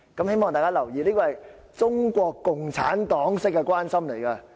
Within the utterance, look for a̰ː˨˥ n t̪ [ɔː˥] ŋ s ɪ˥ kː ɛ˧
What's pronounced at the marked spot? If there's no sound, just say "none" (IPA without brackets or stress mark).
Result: ɔː˨˥